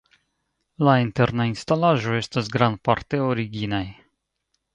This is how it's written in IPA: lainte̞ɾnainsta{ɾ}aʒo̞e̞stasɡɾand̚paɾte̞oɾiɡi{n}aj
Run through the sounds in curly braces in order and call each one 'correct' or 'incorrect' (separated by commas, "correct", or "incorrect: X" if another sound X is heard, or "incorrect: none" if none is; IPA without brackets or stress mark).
incorrect: l, correct